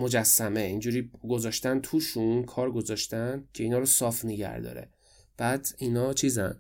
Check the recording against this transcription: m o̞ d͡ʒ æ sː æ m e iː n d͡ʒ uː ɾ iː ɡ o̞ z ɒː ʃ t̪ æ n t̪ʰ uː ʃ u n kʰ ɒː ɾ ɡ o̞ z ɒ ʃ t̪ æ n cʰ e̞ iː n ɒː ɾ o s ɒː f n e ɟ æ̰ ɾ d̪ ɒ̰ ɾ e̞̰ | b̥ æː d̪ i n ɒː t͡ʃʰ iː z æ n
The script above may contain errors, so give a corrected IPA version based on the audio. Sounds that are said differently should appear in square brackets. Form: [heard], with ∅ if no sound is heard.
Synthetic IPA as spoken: m o̞ d͡ʒ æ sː æ m e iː n d͡ʒ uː ɾ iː ɡ o̞ z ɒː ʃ t̪ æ n t̪ʰ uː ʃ u n kʰ ɒː ɾ ɡ o̞ z ɒ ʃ t̪ æ n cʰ e̞ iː n ɒː ɾ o s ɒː f n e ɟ æ̰ ɾ d̪ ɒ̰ ɾ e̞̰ | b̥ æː d̪ i n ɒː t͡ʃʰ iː z æ n